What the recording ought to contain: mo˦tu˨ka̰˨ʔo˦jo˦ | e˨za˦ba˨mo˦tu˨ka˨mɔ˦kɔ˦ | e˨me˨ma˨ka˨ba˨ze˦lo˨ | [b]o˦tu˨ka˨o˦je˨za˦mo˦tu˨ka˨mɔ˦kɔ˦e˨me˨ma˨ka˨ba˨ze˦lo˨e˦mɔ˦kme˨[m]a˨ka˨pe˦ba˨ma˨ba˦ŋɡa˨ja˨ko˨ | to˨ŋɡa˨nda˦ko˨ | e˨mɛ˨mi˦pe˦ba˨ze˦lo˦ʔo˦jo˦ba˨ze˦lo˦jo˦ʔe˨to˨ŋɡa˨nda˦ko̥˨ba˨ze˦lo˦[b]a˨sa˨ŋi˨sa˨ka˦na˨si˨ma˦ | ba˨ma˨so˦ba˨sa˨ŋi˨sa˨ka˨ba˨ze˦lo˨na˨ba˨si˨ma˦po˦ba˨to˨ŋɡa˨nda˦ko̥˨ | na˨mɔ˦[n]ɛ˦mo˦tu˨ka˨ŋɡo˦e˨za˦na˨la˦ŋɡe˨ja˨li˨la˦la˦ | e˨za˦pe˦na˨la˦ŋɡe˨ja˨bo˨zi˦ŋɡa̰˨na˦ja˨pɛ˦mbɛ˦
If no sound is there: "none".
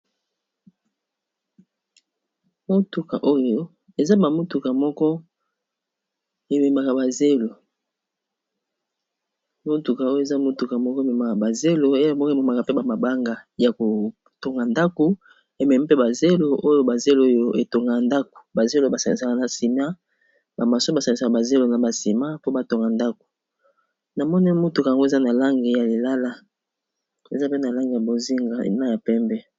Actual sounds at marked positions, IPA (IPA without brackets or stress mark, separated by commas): m, m, b, n